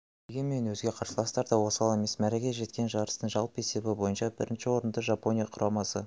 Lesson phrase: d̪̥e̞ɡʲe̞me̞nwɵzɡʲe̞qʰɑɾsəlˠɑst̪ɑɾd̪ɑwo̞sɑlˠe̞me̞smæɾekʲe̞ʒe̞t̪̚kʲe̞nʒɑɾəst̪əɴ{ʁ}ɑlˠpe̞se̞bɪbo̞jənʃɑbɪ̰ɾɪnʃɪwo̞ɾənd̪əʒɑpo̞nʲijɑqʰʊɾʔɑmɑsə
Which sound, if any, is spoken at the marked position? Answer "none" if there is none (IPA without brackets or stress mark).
ʒ